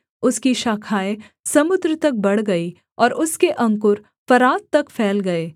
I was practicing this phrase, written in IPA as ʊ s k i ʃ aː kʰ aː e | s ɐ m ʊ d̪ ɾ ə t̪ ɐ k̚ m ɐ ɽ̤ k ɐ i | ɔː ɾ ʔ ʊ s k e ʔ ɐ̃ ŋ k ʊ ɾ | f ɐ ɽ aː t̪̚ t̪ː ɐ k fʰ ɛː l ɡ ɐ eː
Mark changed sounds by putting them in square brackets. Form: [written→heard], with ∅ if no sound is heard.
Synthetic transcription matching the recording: ʊ s k i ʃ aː kʰ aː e | s ɐ m ʊ d̪ ɾ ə t̪ ɐ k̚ [m→b] ɐ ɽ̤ [k→ɡ] ɐ i | ɔː ɾ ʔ ʊ s k e ʔ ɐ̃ ŋ k ʊ ɾ | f ɐ [ɽ→ɾ] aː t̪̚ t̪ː ɐ k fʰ ɛː l ɡ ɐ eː